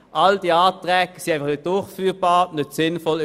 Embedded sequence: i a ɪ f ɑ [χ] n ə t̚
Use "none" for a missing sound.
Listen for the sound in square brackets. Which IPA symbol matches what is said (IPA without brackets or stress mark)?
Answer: χ